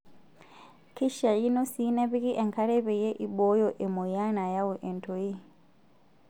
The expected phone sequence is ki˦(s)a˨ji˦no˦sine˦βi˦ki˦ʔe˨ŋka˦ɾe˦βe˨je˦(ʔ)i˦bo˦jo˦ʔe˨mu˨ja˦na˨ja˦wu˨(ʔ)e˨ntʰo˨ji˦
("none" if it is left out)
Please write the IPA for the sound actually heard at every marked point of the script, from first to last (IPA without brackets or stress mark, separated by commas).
ʃ, ʔ, ʔ